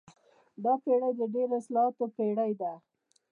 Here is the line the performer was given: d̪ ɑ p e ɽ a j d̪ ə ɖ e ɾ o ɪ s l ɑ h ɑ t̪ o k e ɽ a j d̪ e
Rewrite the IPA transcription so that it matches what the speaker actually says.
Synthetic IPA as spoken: d̪ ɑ p e ɽ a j d̪ ə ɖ e ɾ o ɪ s l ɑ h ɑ t̪ o p e ɽ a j d̪ a